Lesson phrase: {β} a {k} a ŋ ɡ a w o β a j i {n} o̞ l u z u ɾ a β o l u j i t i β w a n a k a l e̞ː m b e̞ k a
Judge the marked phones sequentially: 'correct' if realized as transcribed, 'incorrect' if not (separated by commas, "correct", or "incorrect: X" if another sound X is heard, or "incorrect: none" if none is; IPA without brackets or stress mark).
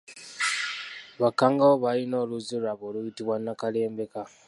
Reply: correct, correct, correct